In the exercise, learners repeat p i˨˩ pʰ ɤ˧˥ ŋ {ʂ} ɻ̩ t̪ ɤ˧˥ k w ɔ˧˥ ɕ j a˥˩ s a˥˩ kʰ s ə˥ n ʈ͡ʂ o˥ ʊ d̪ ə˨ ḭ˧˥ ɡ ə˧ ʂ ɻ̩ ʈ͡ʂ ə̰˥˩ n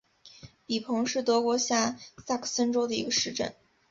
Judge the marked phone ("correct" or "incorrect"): correct